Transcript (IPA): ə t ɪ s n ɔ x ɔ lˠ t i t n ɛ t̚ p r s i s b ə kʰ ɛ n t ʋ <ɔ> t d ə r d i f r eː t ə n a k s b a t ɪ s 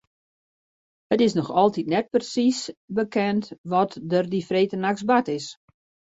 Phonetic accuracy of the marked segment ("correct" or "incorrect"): correct